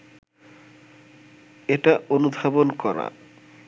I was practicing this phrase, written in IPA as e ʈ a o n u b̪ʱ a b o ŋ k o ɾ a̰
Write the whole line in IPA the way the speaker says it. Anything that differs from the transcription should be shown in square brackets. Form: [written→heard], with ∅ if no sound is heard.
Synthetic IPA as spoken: e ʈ a o n u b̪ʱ a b o [ŋ→n] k [o→ɔ] ɾ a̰